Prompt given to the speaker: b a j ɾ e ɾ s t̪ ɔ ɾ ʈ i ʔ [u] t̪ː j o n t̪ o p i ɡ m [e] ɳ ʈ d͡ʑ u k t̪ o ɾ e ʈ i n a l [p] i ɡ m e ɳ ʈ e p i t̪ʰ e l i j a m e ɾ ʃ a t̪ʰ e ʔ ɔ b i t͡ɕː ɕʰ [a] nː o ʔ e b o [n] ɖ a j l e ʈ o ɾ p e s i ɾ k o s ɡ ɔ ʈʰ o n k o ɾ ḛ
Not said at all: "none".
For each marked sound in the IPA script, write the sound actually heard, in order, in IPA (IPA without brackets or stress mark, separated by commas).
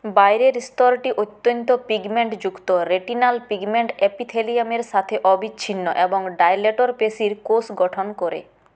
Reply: o, e, p, i, ŋ